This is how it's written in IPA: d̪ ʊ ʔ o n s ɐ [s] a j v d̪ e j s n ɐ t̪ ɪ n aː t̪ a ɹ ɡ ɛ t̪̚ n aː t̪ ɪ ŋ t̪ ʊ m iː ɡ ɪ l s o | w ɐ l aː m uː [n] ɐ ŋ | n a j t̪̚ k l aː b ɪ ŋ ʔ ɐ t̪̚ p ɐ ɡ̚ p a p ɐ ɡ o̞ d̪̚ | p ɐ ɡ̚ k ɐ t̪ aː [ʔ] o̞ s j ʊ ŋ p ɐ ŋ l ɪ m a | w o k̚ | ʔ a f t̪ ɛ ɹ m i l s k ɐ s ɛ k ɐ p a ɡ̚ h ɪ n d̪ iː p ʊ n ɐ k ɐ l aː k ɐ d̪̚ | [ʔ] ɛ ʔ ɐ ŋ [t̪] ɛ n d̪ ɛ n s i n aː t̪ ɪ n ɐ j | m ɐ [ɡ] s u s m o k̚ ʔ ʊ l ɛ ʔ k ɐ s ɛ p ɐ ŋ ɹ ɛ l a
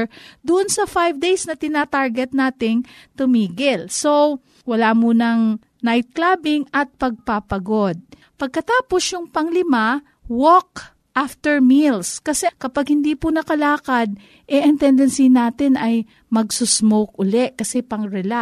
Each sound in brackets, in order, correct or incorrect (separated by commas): incorrect, correct, incorrect, correct, correct, correct